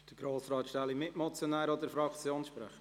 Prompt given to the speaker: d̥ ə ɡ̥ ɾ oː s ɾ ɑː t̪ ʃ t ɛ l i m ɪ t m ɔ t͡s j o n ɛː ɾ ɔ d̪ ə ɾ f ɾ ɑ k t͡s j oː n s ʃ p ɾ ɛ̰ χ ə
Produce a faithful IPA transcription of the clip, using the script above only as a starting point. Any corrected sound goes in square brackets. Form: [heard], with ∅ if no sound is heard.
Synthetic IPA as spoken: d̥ ə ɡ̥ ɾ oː s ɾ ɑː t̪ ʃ t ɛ l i m ɪ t m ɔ t͡s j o n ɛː ɾ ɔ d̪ ə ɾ f ɾ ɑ k t͡s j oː n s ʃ p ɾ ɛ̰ χ ə